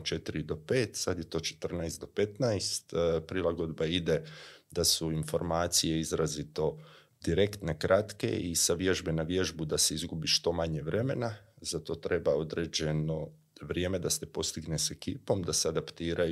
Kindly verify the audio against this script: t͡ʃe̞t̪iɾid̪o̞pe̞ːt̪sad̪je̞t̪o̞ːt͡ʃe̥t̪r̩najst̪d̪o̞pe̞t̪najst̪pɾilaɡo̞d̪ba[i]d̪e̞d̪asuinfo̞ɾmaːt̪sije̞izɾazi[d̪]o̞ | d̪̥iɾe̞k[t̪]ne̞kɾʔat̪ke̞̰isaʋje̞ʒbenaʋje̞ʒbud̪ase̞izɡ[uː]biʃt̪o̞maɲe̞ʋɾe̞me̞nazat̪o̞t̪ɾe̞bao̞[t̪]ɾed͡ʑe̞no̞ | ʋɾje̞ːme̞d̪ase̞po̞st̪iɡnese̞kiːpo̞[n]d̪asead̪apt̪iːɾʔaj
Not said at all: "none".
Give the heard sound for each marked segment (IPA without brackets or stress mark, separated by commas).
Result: i, t̪, t̪, u, d̪, m